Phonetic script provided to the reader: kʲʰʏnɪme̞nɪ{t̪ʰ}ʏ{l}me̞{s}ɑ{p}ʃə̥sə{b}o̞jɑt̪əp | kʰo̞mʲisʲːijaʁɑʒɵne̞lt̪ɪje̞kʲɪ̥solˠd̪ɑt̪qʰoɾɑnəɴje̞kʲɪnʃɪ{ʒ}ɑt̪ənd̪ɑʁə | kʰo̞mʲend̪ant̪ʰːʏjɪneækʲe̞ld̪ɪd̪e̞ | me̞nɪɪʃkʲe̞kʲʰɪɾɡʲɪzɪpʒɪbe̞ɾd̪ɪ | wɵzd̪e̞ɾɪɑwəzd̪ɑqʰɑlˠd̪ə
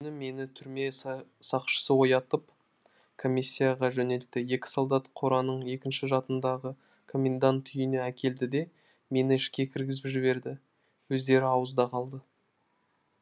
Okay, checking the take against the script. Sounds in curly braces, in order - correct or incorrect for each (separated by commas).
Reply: correct, incorrect, correct, incorrect, incorrect, correct